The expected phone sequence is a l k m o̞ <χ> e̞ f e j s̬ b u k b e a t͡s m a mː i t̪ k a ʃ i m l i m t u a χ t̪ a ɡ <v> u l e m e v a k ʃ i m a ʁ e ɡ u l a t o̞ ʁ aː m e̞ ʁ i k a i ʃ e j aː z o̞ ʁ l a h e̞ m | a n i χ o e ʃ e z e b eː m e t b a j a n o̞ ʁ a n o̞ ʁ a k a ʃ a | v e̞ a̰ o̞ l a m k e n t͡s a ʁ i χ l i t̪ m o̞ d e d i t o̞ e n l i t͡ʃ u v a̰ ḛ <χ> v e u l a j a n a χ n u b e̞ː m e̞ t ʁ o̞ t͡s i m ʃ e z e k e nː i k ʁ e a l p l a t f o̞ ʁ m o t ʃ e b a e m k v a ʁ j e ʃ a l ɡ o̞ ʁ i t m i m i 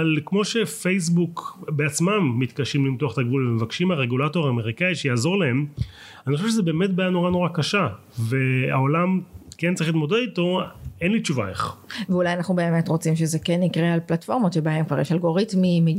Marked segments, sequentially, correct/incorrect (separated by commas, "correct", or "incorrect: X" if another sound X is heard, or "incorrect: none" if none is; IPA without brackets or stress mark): incorrect: ʃ, correct, correct